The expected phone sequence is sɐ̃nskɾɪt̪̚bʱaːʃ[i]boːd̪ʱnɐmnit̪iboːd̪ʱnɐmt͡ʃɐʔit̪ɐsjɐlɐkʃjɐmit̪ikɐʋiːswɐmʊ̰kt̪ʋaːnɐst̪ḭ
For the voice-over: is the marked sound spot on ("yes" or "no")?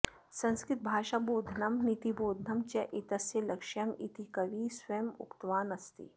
no